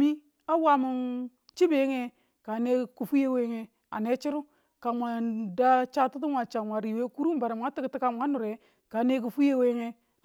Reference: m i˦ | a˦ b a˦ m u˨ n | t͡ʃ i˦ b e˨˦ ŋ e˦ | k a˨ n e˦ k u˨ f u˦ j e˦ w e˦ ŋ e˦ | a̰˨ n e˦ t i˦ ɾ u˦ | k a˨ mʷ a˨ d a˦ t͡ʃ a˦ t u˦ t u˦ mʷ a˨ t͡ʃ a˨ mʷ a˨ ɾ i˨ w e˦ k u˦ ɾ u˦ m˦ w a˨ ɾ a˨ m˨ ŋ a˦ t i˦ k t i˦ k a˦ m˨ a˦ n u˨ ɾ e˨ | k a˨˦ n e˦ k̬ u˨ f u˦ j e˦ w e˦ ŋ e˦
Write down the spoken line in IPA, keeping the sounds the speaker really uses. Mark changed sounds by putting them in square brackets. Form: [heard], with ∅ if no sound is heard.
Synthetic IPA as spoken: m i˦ | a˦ [w] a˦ m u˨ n | t͡ʃ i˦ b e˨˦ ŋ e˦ | k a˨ n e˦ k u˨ f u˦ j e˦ w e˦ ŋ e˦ | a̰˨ n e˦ [t͡ʃ] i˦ ɾ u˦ | k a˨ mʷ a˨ d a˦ t͡ʃ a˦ t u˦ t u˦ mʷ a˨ t͡ʃ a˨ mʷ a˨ ɾ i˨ w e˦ k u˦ ɾ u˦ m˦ [b] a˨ ɾ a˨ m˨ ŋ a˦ t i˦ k t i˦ k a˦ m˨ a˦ n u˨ ɾ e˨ | k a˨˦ n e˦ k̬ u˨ f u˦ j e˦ w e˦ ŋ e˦

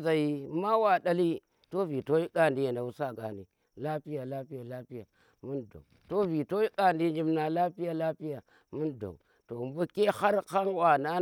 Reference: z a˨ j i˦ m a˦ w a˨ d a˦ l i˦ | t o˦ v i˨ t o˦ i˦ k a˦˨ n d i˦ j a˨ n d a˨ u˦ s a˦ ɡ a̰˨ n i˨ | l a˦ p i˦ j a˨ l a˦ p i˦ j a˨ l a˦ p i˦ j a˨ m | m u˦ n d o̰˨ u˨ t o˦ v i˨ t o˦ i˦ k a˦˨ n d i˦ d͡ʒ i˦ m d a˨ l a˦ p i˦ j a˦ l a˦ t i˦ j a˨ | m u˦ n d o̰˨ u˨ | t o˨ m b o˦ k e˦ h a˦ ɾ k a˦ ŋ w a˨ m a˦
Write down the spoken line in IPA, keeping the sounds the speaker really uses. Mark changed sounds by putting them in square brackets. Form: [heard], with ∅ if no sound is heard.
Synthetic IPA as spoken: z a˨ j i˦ m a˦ w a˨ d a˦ l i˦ | t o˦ v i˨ t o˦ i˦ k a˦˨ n d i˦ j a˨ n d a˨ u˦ s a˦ ɡ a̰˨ n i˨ | l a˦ p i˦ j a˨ l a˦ p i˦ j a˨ l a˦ p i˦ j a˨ [∅] | m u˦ n d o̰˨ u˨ t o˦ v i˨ t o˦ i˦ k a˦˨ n d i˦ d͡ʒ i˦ m [n] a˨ l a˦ p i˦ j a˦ l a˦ [p] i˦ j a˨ | m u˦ n d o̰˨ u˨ | t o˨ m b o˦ k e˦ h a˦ ɾ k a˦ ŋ w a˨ [n] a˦

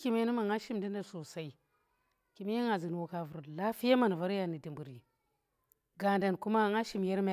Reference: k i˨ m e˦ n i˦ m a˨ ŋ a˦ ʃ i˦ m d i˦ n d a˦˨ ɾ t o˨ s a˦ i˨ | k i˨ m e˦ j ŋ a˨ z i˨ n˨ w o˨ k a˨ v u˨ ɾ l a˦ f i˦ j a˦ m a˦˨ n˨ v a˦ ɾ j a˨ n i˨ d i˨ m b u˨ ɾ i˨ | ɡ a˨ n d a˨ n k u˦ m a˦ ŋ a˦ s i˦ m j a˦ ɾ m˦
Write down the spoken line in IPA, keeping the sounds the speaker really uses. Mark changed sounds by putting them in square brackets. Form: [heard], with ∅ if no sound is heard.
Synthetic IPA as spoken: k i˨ m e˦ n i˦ m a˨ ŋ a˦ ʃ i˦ m d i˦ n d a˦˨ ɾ [s] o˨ s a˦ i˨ | k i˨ m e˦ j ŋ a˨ z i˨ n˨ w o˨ k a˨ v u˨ ɾ l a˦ f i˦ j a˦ m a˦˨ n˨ v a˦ ɾ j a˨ n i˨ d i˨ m b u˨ ɾ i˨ | ɡ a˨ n d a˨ n k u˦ m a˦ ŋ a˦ [ʃ] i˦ m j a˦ ɾ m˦

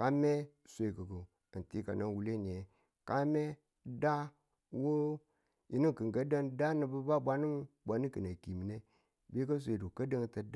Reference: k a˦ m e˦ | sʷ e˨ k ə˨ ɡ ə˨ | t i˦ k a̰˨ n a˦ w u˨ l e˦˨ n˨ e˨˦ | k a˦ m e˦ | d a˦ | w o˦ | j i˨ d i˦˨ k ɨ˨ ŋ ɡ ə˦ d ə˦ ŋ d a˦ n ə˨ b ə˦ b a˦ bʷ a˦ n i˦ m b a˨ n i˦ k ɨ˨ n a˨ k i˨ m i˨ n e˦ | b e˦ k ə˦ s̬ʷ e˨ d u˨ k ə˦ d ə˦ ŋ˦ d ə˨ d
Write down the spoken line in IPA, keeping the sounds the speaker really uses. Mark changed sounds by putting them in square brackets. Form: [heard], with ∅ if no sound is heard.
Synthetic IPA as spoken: k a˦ m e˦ | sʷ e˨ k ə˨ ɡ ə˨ | t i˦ k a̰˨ n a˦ w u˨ l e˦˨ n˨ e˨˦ | k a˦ m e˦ | d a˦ | w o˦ | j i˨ [n] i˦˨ k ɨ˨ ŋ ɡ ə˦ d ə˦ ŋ d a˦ n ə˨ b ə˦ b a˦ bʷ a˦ n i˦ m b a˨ n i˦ k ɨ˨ n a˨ k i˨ m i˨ n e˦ | b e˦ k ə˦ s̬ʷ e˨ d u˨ k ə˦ d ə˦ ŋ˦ [t] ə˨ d

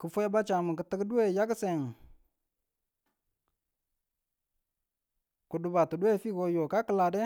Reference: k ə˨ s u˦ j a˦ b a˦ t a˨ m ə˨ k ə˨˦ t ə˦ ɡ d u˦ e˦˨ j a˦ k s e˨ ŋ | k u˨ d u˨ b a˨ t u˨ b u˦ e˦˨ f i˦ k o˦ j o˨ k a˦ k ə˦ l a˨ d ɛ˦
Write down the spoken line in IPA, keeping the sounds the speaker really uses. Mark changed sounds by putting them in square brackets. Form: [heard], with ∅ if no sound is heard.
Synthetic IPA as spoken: k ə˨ [f] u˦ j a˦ b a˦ [t͡ʃ] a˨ m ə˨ k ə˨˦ t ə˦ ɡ d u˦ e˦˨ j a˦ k s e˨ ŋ | k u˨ d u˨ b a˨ t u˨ [d] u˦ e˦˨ f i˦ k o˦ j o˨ k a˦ k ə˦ l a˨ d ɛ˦

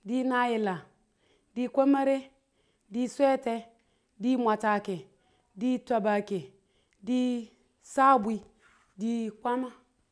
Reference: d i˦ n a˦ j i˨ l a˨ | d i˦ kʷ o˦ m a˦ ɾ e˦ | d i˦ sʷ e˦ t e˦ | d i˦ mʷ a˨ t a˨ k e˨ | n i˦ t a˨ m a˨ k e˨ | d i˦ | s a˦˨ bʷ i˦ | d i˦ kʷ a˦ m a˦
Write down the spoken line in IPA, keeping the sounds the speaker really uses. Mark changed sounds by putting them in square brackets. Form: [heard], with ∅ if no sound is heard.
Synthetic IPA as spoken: d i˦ n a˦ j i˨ l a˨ | d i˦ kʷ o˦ m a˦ ɾ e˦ | d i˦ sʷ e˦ t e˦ | d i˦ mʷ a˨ t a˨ k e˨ | [d] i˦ t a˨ [b] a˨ k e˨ | d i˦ | s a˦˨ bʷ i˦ | d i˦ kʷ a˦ m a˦

